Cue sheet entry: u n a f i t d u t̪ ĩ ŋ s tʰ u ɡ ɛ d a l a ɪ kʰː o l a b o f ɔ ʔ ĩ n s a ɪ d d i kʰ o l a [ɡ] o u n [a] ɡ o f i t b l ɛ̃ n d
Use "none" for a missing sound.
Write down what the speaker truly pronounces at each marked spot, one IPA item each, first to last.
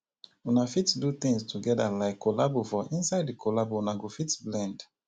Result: b, a

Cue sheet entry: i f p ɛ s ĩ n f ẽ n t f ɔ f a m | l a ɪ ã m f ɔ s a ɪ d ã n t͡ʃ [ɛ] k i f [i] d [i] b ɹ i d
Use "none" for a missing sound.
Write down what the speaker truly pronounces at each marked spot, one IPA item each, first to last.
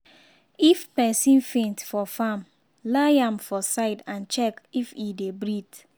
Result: ɛ, i, e

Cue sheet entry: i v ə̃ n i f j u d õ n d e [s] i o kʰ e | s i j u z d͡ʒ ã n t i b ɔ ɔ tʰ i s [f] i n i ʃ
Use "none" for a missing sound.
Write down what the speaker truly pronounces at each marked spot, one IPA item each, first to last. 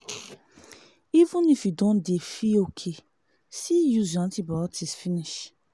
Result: f, f

